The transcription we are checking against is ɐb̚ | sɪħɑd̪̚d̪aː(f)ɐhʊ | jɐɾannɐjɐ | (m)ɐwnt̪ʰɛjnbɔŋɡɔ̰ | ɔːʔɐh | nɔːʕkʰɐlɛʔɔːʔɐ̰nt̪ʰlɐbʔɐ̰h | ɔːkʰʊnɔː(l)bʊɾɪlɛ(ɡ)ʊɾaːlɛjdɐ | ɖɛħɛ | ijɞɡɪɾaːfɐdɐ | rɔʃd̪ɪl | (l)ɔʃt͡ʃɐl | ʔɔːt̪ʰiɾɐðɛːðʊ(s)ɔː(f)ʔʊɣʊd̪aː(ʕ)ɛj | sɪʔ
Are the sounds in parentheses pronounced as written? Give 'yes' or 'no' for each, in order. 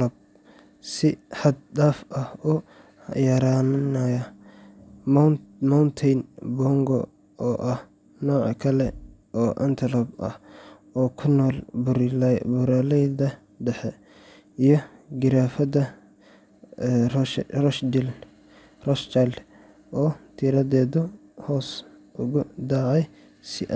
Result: yes, yes, yes, no, no, no, no, yes

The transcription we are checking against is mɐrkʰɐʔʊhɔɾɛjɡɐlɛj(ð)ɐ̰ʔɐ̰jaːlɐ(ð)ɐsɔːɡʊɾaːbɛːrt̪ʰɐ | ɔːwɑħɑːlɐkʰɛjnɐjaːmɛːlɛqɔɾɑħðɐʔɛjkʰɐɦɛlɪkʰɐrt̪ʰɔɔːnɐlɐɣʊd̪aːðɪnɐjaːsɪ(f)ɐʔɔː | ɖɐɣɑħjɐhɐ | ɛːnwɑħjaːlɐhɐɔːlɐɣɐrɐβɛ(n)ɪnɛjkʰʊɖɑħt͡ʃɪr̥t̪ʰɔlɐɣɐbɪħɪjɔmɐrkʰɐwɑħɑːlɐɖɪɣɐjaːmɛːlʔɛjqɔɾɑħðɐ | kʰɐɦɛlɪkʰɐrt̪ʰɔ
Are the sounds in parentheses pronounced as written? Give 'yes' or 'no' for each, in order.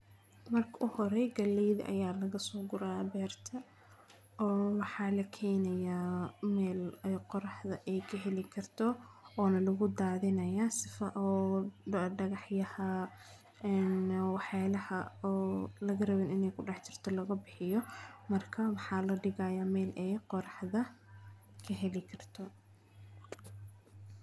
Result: yes, no, yes, yes

